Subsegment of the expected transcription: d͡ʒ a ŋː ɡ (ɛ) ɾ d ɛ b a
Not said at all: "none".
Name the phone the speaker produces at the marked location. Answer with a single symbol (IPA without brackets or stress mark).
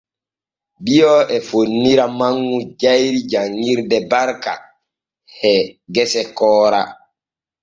i